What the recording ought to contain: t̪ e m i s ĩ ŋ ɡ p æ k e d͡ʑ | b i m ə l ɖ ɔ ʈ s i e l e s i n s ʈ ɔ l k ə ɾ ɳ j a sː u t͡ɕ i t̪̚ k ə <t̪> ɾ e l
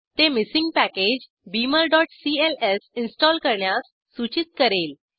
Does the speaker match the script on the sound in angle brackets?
no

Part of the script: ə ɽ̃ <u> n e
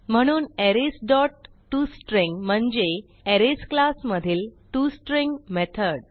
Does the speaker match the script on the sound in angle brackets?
no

